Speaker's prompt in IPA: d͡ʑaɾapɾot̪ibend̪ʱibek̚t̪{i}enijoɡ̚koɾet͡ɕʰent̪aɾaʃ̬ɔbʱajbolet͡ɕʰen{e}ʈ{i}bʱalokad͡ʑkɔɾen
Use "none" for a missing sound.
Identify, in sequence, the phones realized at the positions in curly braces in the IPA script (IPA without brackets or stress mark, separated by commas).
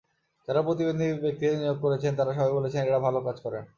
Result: i, e, a